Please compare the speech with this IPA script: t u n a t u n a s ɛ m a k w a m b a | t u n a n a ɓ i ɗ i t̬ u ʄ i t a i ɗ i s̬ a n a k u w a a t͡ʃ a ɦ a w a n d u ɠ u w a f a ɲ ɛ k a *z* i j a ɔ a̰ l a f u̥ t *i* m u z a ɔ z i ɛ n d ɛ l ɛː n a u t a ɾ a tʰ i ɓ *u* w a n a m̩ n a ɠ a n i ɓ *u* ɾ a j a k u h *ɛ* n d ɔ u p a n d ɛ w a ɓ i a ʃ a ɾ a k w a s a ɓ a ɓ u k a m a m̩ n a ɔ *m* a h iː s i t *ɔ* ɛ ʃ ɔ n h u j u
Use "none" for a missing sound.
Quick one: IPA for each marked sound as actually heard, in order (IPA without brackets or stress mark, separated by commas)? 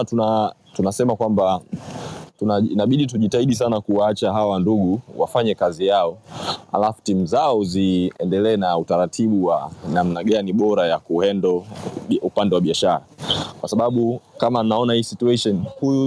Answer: z, i, u, ɔ, ɛ, n, u